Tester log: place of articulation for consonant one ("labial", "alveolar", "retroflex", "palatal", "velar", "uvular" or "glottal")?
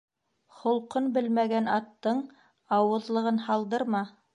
uvular